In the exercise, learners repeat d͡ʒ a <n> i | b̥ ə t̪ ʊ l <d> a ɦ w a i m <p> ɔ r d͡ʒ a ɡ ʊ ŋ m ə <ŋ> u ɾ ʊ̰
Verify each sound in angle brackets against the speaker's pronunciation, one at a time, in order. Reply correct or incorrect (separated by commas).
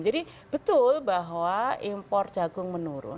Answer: incorrect, incorrect, correct, incorrect